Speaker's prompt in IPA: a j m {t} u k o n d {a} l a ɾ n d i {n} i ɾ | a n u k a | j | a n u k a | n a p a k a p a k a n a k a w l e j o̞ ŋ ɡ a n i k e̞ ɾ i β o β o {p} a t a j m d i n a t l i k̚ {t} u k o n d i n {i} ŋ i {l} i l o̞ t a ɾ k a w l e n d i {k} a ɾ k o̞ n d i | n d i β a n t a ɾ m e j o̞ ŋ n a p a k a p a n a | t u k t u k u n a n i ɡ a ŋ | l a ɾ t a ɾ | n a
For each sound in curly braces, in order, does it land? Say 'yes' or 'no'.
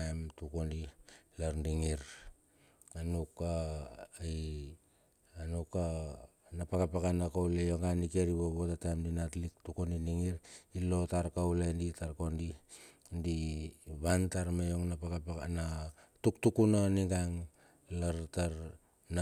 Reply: yes, no, no, no, yes, yes, no, no

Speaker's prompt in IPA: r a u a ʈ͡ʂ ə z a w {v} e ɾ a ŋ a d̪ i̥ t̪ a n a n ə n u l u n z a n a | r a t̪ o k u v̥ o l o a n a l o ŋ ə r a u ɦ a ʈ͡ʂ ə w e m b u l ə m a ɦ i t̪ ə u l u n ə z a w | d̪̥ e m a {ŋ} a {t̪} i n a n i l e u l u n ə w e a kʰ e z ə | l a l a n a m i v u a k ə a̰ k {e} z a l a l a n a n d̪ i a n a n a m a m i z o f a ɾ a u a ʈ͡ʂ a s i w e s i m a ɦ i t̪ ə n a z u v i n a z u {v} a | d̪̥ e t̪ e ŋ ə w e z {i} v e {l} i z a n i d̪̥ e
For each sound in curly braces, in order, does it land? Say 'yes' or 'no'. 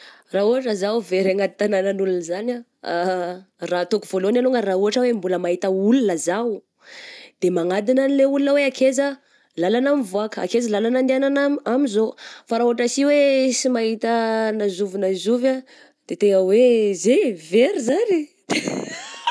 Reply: yes, yes, no, yes, yes, no, no

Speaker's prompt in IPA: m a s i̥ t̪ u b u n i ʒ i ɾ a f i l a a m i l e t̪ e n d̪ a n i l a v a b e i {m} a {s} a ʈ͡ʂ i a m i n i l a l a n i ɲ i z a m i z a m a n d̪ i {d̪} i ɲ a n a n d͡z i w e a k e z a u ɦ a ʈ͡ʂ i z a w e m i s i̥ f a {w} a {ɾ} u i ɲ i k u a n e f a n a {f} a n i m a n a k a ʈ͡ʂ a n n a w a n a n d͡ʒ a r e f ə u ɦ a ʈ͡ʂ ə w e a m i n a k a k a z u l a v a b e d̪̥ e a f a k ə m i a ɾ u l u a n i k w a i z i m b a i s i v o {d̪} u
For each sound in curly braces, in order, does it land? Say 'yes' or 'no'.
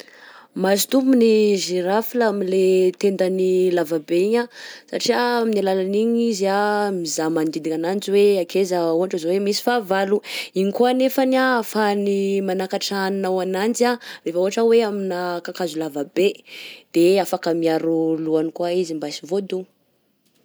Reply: no, yes, yes, no, no, yes, yes

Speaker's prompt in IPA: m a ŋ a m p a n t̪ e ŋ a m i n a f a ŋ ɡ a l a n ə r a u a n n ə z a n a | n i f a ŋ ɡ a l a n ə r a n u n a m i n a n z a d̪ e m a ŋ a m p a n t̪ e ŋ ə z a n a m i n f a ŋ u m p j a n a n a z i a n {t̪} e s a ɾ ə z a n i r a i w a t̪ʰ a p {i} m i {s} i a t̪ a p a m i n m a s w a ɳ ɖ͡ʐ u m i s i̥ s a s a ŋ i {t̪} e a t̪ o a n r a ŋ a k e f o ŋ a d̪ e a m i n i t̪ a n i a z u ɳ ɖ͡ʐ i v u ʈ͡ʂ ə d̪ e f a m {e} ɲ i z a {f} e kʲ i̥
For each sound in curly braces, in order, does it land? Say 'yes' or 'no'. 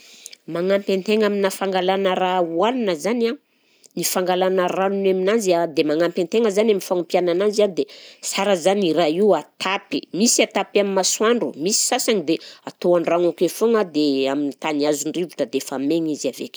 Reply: no, yes, yes, no, yes, no

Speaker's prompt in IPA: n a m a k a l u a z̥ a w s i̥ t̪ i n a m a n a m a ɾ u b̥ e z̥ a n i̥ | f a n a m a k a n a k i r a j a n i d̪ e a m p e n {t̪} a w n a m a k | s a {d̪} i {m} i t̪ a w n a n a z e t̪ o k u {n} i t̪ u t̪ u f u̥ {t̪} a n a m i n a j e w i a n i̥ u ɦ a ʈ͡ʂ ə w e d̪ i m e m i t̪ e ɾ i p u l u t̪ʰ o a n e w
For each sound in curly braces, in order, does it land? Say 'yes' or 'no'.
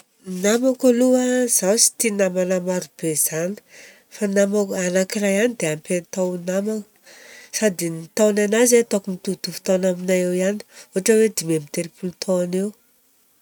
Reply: yes, yes, no, no, yes

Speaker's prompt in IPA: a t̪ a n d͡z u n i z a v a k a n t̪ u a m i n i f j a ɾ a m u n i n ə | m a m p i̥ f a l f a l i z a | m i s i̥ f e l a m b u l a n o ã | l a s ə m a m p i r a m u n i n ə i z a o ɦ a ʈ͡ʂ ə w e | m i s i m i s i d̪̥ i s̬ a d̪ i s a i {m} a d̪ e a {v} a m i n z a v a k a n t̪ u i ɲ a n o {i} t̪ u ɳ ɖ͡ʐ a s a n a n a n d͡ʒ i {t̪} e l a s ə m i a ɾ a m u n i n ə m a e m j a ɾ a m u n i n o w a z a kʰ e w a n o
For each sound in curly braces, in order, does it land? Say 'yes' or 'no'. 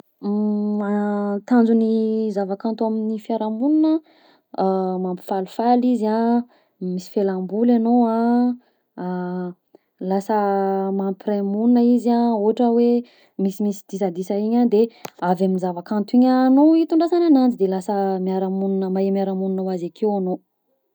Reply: no, yes, yes, no

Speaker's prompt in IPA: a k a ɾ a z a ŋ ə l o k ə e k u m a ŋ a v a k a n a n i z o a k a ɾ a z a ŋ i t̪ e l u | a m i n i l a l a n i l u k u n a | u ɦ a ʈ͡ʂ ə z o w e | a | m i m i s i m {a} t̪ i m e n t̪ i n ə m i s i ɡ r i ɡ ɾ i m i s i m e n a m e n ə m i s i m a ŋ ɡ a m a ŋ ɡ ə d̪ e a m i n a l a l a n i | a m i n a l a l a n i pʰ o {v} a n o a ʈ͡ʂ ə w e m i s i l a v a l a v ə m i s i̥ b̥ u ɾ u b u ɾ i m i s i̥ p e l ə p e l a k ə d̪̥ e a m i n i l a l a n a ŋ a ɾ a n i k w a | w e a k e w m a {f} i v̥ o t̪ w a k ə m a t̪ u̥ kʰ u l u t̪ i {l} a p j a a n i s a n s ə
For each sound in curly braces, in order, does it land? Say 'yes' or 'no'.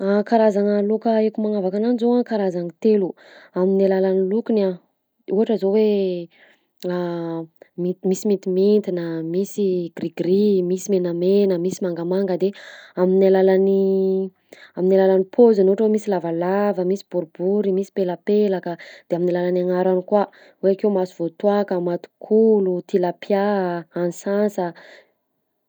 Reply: no, no, no, yes

